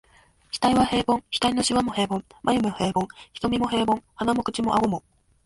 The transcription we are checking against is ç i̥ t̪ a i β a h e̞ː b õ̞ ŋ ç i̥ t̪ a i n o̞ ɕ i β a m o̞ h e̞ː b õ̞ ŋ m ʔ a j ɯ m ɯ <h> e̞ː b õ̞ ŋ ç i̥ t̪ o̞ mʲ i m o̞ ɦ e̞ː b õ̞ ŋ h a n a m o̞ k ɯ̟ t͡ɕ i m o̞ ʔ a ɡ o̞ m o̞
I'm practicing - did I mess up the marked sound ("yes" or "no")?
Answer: no